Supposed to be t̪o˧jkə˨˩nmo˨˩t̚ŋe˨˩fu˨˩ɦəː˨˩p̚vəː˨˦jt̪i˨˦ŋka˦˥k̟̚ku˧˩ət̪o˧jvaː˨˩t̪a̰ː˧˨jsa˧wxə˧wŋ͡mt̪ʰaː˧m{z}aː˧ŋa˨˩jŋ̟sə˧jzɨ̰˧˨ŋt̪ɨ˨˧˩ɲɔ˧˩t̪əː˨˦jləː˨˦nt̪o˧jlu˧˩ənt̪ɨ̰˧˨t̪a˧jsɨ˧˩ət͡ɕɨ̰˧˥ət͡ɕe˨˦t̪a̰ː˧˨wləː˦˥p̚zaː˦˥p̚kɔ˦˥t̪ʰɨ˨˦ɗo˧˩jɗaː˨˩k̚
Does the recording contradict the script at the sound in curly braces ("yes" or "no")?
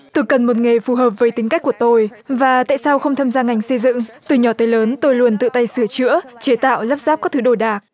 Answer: no